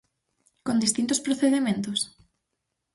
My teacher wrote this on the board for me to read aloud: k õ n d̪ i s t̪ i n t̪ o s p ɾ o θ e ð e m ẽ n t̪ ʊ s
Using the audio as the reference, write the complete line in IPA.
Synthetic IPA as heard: k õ n d̪ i s t̪ i n t̪ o s p ɾ o θ e ð e m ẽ n t̪ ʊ s